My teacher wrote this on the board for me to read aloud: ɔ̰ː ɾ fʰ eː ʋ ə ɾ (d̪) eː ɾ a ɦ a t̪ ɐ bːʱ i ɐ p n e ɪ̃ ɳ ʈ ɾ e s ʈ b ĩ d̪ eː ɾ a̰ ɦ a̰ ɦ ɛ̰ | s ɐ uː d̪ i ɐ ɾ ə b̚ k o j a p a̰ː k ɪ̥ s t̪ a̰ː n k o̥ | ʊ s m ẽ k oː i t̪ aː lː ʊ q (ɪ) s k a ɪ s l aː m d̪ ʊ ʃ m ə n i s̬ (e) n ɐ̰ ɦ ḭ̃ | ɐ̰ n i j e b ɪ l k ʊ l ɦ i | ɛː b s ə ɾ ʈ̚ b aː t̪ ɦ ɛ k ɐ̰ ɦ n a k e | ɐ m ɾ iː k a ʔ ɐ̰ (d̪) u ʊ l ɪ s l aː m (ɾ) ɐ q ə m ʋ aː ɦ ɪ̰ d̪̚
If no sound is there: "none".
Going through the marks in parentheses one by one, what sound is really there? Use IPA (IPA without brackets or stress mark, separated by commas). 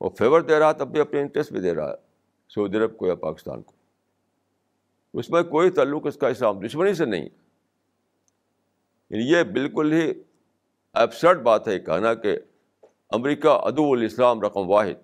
d̪, ɪ, e, d̪, ɾ